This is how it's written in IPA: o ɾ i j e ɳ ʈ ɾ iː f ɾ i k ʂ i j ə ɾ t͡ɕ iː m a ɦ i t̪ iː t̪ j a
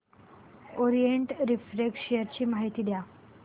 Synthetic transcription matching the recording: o ɾ i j e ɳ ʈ ɾ i f ɾ e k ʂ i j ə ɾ t͡ɕ iː m a ɦ i t̪ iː d̪ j a